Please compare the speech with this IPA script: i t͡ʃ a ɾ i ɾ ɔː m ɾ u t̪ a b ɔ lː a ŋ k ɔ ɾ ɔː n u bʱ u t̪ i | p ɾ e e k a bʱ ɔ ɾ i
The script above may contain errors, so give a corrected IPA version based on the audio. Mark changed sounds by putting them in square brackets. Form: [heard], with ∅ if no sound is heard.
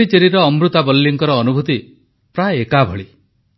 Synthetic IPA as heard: i t͡ʃ [e] ɾ i ɾ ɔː m ɾ u t̪ a b ɔ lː [i] ŋ k ɔ ɾ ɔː n u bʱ u t̪ i | p ɾ [a] e k a bʱ ɔ [ɭ] i